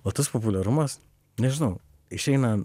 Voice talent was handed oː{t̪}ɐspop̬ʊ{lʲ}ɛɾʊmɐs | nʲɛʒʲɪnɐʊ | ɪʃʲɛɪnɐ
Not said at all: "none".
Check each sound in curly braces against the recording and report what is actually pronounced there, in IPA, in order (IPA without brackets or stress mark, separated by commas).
t̪, lʲ